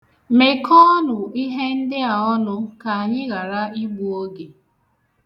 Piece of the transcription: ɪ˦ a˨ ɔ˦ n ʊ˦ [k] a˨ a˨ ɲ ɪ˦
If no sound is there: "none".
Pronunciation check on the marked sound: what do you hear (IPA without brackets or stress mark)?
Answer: k